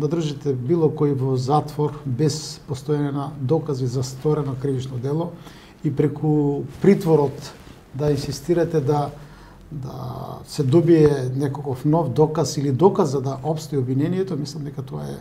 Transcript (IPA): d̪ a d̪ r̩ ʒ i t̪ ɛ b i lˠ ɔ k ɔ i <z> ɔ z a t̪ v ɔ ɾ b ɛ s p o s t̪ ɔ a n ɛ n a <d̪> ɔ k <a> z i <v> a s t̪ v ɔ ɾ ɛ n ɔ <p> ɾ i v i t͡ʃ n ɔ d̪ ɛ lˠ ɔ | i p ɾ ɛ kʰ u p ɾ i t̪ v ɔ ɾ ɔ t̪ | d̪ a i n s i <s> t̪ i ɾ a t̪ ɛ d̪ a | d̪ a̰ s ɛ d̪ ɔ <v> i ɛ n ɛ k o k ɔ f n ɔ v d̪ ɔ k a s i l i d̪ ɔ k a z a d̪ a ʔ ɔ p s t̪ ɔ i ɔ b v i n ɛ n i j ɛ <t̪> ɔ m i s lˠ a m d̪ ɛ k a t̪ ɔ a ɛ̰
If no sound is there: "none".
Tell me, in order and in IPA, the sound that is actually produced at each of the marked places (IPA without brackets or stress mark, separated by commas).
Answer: v, d̪, a, z, k, s, b, t̪